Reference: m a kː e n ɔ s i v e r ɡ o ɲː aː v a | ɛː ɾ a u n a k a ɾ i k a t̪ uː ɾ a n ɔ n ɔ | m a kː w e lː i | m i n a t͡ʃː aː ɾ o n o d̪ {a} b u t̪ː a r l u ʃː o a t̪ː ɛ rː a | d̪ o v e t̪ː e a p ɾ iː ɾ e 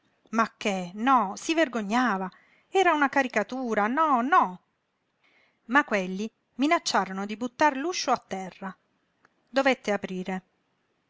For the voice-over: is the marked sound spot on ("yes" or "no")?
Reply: no